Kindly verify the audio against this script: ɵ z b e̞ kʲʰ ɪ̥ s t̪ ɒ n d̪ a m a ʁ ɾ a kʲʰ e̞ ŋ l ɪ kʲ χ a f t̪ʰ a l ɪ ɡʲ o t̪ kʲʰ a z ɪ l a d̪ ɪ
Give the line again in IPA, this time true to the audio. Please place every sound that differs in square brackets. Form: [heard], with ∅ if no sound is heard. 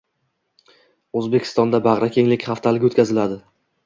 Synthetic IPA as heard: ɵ z b e̞ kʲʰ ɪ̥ s t̪ ɒ n d̪ a [b] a ʁ ɾ a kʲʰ e̞ ŋ l ɪ kʲ χ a f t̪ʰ a l ɪ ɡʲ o t̪ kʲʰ a z ɪ l a d̪ ɪ